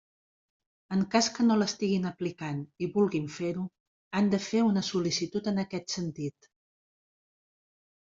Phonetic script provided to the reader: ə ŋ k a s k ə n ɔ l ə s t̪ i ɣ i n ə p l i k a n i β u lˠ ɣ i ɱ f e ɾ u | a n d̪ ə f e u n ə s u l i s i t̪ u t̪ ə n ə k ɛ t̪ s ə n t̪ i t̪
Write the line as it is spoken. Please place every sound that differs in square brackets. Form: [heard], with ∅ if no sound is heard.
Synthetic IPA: ə ŋ k a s k ə n [o] l ə s t̪ i ɣ i n ə p l i k a n i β u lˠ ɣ i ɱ f e ɾ u | a n d̪ ə f e u n ə s u l i s i t̪ u t̪ ə n ə k ɛ t̪ s ə n t̪ i t̪

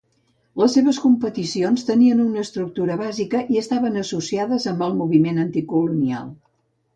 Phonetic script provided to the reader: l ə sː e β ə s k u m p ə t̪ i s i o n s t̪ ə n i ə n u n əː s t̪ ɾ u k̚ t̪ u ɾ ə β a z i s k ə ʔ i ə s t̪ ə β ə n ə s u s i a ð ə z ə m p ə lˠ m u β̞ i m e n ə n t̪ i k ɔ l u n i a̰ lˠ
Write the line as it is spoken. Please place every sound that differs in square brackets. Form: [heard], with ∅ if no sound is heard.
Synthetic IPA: l ə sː e β ə s k u m p ə t̪ i s i o n s t̪ ə n i ə n u n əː s t̪ ɾ u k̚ t̪ u ɾ ə β a z i [∅] k ə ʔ i ə s t̪ [a] β ə n ə s u s i a ð ə z ə m [b] ə lˠ m u β̞ i m e n ə n t̪ i k [u] l u n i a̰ lˠ

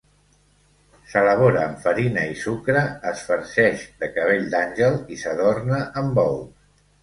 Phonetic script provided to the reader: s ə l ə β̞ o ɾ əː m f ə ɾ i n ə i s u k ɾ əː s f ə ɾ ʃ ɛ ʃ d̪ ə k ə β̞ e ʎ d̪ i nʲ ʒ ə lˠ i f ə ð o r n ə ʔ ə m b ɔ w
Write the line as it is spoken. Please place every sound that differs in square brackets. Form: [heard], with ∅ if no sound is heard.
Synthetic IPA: s ə l ə β̞ o ɾ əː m f ə ɾ i n ə i s u k ɾ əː s f ə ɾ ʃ ɛ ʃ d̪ ə k ə β̞ e ʎ d̪ [a] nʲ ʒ ə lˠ i [s] ə ð o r n ə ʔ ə m b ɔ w

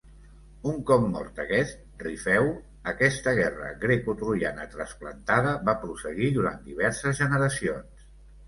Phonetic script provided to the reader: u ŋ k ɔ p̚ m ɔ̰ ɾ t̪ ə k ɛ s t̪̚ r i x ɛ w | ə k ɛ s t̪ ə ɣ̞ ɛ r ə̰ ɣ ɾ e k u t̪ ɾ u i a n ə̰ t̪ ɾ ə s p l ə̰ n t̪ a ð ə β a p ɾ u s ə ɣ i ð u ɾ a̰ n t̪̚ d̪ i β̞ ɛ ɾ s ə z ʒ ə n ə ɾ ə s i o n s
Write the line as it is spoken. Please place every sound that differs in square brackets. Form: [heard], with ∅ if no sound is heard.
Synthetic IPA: u ŋ k ɔ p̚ m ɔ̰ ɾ t̪ ə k ɛ s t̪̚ r i [f] ɛ w | ə k ɛ s t̪ ə ɣ̞ ɛ r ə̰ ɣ ɾ e k u t̪ ɾ u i a n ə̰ t̪ ɾ ə s p l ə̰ n t̪ a ð ə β a p ɾ u s ə ɣ i ð u ɾ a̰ n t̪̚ d̪ i β̞ ɛ ɾ s ə z ʒ ə n ə ɾ ə s i o n s

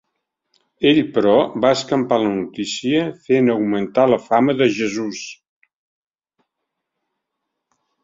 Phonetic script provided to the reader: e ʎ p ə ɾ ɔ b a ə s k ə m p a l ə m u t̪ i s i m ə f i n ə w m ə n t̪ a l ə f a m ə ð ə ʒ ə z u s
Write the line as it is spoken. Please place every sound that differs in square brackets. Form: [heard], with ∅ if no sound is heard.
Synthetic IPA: e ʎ p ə ɾ ɔ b a ə s k ə m p a l ə [n] u t̪ i s i [∅] ə f [e] n ə w m ə n t̪ a l ə f a m ə ð ə ʒ ə z u s

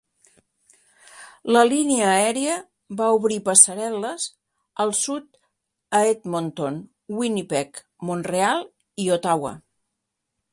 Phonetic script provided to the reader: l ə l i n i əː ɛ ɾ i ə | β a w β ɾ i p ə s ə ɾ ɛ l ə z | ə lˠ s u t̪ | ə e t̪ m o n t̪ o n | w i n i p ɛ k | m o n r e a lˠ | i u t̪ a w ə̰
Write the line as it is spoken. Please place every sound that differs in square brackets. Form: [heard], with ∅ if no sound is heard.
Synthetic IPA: l ə l i n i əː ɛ ɾ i ə | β a [u] β ɾ i p ə s ə ɾ ɛ l ə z | ə lˠ s u t̪ | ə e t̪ m o n t̪ o n | w i n i p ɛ k | m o n r e a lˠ | i [o] t̪ a w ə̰

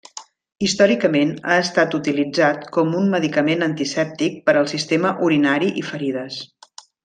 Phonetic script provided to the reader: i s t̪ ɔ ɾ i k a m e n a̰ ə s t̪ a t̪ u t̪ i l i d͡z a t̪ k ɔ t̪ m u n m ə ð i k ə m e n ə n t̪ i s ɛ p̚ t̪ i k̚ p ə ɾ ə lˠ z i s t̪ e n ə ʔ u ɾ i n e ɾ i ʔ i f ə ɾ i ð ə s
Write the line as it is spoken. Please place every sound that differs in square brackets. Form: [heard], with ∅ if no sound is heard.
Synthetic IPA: i s t̪ ɔ ɾ i k [ə] m e n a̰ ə s t̪ a t̪ u t̪ i l i d͡z a t̪ k ɔ [∅] m u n m ə ð i k ə m e n ə n t̪ i s ɛ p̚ t̪ i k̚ p ə ɾ ə lˠ [s] i s t̪ e [m] ə ʔ u ɾ i n [a] ɾ i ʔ i f ə ɾ i ð ə s

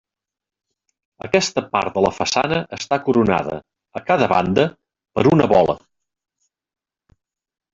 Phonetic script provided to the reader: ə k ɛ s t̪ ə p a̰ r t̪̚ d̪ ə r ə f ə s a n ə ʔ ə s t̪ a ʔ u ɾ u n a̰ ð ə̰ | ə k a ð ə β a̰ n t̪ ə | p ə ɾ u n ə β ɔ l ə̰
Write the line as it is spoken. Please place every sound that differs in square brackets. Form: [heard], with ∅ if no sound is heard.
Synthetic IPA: ə k ɛ s t̪ ə p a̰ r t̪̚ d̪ ə [l] ə f ə s a n ə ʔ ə s t̪ a [k] u ɾ u n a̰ ð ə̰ | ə k a ð ə β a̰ n [d̪] ə | p ə ɾ u n ə β ɔ l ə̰

